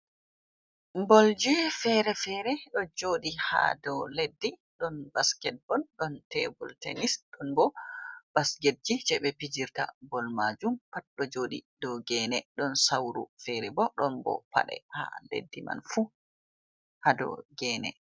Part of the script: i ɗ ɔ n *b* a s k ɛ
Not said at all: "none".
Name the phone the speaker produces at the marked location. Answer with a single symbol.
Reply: b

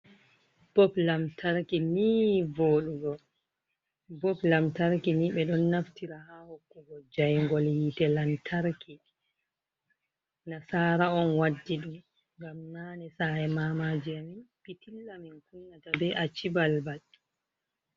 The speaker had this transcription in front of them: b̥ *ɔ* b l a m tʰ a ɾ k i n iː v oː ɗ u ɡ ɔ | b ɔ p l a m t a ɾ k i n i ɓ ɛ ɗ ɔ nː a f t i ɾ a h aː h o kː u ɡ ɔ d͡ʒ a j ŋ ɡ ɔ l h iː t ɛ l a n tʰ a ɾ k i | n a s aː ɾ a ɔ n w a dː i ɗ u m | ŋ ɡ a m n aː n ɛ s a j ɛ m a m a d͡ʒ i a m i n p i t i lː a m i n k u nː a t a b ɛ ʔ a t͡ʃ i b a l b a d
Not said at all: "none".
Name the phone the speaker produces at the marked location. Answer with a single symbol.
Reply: ɔ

